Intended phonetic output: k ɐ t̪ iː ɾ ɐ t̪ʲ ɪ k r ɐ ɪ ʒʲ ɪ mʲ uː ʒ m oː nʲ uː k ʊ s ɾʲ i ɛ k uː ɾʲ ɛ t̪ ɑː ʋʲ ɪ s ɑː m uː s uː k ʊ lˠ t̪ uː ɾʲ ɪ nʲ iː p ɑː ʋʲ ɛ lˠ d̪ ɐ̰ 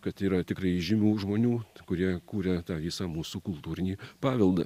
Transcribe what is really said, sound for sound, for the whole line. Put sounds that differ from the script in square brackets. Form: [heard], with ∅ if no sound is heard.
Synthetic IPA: k ɐ t̪ iː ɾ ɐ t̪ʲ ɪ k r ɐ ɪ ʒʲ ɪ mʲ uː ʒ m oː nʲ uː k ʊ [∅] ɾʲ i ɛ k uː ɾʲ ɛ t̪ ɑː ʋʲ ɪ s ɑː m uː s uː k ʊ lˠ t̪ uː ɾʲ ɪ nʲ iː p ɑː ʋʲ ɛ lˠ d̪ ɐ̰